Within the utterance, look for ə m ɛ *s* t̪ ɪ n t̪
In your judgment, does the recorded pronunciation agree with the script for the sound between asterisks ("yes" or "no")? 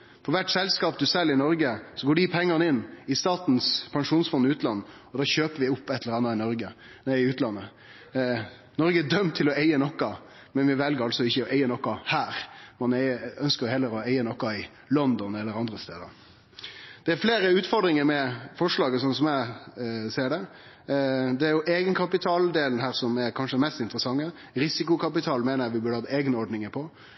yes